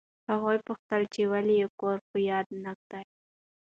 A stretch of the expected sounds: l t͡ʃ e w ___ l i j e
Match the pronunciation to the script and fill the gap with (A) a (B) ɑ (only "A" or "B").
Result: A